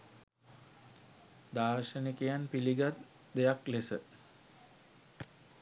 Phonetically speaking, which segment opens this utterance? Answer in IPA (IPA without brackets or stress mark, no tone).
d̪